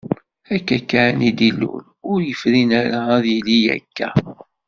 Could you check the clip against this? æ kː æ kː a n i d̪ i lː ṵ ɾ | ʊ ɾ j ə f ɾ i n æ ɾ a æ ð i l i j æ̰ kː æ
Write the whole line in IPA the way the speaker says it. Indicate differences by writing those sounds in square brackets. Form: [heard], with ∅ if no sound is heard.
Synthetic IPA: æ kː æ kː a n i d̪ i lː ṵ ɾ | ʊ ɾ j ə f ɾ i n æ ɾ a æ ð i l i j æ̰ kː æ